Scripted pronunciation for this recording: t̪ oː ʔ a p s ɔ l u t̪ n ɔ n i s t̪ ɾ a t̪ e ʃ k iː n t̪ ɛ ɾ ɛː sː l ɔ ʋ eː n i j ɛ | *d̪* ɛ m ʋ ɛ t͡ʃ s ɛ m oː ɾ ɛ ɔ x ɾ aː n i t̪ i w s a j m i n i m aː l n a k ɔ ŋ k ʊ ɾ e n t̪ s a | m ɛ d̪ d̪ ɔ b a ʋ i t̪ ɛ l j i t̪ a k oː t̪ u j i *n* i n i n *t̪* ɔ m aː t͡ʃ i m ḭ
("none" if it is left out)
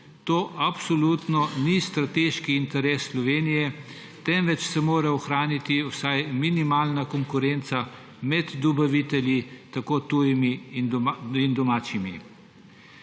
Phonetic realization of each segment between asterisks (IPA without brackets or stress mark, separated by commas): t̪, m, d̪